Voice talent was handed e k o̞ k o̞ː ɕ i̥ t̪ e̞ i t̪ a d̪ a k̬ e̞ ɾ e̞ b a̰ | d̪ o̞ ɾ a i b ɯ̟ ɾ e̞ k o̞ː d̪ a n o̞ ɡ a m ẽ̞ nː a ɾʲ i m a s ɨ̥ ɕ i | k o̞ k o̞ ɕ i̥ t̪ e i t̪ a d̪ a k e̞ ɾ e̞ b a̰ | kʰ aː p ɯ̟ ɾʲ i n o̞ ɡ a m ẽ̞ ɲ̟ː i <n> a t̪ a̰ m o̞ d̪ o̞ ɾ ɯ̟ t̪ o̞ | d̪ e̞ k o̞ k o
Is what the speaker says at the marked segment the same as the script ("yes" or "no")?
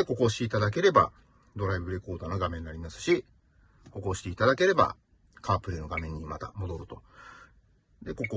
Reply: no